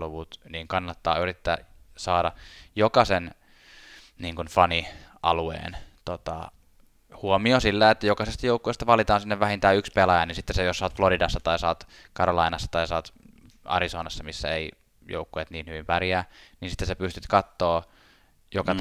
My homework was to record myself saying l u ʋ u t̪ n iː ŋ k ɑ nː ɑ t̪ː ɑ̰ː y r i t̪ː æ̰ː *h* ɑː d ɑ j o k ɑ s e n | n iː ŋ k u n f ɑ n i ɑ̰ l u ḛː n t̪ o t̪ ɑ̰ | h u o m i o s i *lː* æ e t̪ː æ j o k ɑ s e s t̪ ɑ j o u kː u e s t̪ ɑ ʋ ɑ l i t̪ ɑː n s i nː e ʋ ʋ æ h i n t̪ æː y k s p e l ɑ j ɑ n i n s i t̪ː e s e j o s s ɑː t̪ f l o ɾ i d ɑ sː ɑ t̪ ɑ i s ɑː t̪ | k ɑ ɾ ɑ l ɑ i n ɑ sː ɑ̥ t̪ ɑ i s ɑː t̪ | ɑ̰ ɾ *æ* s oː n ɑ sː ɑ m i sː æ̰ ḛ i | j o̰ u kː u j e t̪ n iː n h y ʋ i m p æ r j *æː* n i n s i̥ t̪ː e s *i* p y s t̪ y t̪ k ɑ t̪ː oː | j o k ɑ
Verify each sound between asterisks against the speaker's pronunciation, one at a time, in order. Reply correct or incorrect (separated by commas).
incorrect, correct, incorrect, correct, incorrect